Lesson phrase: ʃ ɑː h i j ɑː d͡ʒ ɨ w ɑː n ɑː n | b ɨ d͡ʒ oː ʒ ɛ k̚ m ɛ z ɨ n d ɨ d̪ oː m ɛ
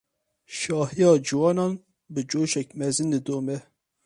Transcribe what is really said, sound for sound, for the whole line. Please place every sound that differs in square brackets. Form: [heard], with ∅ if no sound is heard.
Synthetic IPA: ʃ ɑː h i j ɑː d͡ʒ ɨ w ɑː n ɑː n | b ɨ d͡ʒ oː [ʃ] ɛ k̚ m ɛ z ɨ n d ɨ d̪ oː m ɛ